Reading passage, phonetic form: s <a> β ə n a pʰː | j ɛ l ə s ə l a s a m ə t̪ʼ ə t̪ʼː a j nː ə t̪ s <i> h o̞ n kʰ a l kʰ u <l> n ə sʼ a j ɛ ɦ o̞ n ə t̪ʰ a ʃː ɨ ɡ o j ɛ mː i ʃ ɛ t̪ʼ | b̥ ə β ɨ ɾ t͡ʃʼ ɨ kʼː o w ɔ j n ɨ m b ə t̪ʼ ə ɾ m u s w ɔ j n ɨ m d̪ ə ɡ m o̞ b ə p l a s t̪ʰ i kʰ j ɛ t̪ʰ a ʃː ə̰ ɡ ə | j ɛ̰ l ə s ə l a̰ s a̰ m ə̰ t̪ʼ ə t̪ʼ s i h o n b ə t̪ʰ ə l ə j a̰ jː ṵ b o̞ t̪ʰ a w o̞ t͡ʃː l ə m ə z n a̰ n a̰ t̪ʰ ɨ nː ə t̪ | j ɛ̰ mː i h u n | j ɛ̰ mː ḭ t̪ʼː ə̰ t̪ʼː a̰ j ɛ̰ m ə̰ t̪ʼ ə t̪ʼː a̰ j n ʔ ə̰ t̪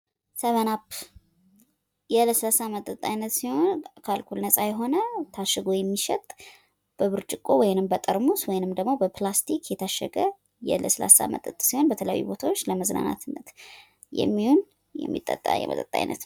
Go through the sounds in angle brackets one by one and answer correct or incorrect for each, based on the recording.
incorrect, correct, correct

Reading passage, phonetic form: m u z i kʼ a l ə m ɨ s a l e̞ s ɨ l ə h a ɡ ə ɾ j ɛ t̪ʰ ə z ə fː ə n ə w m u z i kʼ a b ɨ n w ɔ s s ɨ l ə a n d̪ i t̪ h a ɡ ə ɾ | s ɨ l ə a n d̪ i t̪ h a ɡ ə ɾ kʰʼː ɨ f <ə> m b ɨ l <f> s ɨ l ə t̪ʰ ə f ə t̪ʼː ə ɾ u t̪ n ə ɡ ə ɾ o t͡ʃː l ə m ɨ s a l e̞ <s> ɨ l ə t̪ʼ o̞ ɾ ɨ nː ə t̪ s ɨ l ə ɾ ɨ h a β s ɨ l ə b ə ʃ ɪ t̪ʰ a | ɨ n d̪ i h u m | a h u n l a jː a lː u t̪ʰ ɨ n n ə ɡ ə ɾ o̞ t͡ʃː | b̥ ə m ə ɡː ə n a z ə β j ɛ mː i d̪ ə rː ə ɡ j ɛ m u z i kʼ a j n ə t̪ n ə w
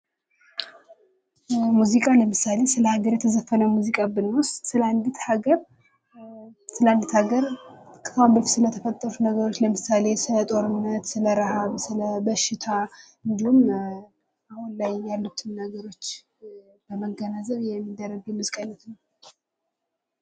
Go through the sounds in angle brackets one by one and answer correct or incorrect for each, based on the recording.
incorrect, correct, correct

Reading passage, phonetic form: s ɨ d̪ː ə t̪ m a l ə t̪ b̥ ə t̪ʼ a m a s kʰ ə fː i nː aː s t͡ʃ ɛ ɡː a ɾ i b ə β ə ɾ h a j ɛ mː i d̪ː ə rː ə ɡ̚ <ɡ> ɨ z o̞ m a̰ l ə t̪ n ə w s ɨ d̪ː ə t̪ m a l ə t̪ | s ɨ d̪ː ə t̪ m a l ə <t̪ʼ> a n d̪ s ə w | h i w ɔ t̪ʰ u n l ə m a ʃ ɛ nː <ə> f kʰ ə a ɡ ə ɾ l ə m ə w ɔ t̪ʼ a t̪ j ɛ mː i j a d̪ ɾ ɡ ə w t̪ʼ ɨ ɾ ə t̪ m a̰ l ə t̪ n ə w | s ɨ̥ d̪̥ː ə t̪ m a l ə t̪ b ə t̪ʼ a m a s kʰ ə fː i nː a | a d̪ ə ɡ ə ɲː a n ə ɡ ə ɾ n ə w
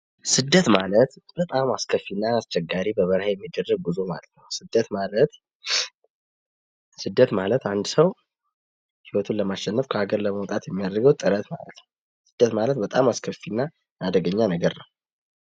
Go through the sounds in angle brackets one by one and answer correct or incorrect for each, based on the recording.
incorrect, incorrect, correct

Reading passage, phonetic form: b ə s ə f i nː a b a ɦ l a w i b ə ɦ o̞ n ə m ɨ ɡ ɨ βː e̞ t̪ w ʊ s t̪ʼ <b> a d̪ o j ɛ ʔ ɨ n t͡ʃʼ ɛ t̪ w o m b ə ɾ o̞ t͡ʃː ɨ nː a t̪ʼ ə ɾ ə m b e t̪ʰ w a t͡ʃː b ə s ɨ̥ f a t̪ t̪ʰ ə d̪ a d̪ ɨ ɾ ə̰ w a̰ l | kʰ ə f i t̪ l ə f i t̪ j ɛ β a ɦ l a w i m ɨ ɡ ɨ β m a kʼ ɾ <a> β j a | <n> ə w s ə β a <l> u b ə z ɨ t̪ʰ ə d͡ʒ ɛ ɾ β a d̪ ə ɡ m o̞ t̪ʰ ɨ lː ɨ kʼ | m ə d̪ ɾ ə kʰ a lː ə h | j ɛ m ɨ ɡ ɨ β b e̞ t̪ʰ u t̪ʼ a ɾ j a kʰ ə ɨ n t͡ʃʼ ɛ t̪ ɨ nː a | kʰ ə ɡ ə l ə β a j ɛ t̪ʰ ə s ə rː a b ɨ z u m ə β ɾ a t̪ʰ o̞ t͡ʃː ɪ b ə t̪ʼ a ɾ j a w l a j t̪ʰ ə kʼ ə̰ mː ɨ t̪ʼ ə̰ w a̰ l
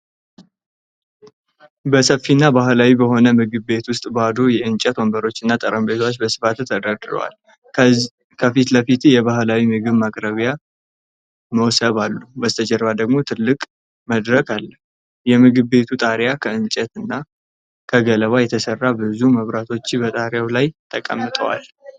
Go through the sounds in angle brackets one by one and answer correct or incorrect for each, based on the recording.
correct, incorrect, incorrect, incorrect

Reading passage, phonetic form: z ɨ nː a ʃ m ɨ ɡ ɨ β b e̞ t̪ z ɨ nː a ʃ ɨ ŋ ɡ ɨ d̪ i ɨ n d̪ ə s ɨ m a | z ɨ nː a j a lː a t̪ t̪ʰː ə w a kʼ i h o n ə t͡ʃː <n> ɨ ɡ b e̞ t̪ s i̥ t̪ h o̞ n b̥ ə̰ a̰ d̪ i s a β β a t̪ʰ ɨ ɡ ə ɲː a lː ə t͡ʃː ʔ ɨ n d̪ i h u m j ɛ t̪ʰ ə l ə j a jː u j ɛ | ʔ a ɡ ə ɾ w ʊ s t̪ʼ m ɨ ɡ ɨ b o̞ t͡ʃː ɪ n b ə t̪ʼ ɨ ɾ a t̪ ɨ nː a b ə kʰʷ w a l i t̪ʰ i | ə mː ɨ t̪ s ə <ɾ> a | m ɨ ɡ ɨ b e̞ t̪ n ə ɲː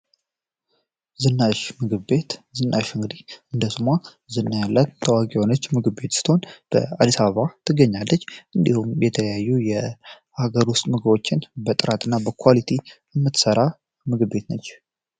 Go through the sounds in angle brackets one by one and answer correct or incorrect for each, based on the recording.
incorrect, correct

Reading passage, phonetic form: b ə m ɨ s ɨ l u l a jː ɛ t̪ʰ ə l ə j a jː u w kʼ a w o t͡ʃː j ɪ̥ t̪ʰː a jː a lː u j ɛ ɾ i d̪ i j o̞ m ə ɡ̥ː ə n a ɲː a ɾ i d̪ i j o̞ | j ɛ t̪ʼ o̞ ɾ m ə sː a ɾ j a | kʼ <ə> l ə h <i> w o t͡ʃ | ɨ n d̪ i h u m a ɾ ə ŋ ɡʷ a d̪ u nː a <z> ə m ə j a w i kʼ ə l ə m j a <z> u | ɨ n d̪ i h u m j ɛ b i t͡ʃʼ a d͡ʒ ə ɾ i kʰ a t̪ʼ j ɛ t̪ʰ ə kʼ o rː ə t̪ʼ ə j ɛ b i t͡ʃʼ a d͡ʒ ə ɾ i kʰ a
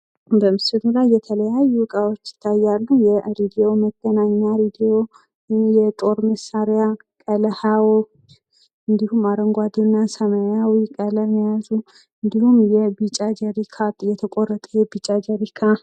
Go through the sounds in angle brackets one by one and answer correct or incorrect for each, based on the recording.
correct, incorrect, incorrect, correct

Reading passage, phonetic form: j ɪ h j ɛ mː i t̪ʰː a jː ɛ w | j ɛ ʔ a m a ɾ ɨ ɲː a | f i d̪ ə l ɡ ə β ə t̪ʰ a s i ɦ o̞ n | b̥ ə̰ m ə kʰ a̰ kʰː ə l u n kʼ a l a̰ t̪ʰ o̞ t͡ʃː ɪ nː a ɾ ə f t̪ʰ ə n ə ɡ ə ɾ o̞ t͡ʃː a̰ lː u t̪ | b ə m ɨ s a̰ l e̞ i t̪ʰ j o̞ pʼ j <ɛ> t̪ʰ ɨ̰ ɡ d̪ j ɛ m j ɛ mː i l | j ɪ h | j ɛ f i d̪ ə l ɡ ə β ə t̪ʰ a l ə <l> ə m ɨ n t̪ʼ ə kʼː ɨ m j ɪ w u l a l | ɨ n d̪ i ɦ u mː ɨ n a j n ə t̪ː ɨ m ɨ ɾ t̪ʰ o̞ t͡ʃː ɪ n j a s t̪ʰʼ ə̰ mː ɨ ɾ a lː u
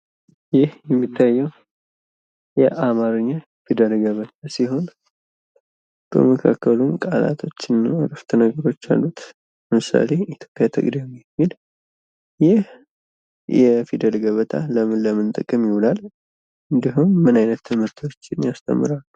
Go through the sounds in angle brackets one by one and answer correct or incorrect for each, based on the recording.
incorrect, correct

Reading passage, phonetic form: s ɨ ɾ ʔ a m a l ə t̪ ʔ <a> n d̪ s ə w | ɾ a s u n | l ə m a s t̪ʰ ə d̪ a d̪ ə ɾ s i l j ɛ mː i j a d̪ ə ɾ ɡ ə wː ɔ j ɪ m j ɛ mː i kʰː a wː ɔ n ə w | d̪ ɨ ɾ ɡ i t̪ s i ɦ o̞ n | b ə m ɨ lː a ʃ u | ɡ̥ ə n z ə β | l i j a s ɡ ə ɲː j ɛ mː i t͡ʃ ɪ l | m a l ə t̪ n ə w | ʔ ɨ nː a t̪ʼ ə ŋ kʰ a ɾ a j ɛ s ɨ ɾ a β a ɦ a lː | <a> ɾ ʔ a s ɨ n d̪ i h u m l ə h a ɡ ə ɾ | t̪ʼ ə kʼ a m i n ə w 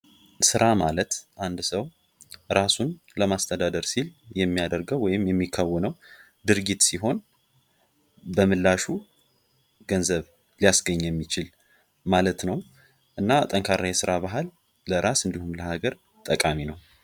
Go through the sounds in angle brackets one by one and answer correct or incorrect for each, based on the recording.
correct, incorrect

